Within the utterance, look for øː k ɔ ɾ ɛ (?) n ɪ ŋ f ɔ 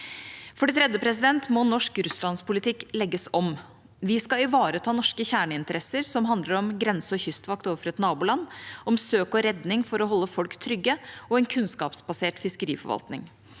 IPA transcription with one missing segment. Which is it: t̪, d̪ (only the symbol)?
d̪